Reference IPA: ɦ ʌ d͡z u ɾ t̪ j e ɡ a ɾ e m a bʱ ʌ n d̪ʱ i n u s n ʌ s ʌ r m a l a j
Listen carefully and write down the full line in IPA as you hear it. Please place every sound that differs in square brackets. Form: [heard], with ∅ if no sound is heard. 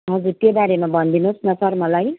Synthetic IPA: ɦ ʌ d͡z u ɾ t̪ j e [b] a ɾ e m a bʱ ʌ n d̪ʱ i n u s n ʌ s ʌ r m [ʌ] l a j